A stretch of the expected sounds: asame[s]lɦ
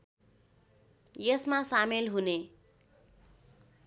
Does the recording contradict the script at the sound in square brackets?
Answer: yes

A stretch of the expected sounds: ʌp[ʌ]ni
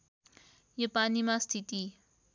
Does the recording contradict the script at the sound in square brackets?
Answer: yes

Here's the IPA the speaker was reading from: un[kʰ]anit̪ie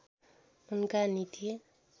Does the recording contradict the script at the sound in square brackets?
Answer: yes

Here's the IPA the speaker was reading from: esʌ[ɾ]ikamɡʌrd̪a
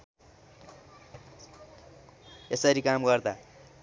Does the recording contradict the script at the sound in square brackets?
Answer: no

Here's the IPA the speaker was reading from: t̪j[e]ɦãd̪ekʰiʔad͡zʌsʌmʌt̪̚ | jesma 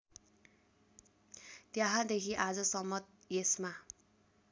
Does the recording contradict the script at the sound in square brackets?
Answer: yes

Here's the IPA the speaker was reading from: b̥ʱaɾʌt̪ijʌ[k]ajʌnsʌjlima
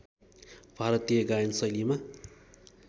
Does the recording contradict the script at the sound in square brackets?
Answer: yes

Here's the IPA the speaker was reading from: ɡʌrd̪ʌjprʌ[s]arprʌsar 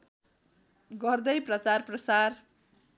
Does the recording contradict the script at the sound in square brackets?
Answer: yes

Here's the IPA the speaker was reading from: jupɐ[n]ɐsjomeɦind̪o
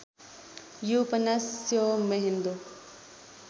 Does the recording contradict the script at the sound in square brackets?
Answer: no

